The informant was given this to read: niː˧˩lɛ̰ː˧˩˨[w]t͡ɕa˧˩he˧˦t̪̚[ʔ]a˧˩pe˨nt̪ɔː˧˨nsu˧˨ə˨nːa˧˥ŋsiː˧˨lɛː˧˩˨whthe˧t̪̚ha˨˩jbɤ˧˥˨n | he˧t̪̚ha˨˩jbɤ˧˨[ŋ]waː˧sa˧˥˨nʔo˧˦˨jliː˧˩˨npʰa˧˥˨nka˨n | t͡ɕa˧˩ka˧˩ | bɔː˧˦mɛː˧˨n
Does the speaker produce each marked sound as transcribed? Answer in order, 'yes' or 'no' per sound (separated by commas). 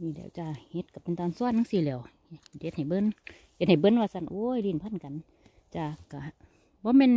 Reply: yes, no, no